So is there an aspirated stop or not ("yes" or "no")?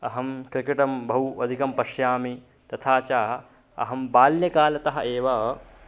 yes